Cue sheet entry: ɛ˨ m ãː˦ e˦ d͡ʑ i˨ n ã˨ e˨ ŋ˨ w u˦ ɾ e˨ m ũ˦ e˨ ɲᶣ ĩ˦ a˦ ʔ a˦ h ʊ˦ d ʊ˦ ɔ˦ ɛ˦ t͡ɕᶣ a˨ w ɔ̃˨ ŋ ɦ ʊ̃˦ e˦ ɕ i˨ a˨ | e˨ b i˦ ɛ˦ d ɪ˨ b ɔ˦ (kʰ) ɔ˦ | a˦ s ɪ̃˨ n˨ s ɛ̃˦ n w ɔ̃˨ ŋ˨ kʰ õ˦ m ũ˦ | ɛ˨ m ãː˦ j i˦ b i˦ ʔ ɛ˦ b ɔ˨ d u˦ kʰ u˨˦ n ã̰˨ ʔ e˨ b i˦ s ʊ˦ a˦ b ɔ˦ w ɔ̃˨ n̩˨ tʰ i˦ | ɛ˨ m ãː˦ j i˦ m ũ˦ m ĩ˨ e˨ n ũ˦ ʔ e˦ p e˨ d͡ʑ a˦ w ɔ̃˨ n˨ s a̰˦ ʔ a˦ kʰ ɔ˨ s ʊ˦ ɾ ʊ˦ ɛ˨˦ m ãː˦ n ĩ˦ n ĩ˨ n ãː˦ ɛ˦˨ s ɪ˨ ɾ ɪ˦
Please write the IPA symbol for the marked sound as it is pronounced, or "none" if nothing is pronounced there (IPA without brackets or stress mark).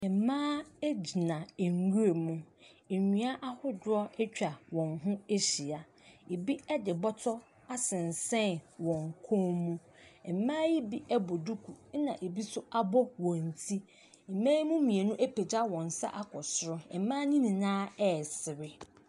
tʰ